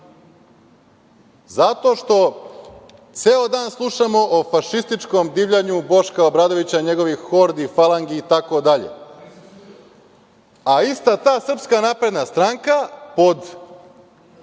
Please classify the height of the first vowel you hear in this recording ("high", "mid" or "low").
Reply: low